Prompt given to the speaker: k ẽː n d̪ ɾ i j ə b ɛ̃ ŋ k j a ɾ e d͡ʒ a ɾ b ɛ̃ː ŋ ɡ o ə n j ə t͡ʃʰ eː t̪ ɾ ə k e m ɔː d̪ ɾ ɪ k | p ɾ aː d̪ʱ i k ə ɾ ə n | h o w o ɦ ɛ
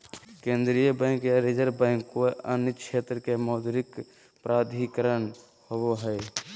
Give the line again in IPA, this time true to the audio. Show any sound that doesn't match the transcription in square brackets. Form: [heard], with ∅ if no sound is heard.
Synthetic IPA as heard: k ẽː n d̪ ɾ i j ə b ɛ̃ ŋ k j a ɾ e d͡ʒ [ə] ɾ b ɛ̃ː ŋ [k] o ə n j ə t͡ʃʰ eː t̪ ɾ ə k e m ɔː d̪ ɾ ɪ k | p ɾ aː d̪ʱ i k ə ɾ ə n | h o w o ɦ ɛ